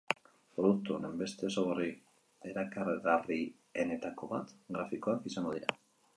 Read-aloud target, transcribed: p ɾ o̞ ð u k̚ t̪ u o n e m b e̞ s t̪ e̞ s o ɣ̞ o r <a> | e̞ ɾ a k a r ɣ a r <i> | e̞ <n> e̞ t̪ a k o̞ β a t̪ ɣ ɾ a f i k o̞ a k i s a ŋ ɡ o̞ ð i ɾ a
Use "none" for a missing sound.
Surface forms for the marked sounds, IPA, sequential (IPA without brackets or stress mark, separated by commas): i, i, n